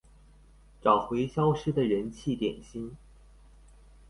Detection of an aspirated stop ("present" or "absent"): present